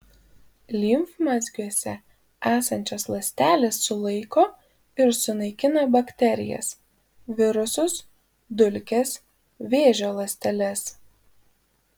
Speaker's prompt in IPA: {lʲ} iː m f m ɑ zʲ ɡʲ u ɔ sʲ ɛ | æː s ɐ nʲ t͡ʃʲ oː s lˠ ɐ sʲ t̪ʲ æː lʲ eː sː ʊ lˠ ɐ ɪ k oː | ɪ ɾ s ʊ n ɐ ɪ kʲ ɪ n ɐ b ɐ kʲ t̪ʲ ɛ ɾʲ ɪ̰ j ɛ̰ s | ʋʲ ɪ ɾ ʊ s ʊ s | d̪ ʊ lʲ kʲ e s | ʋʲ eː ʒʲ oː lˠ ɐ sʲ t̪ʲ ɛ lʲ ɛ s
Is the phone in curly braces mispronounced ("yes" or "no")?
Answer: no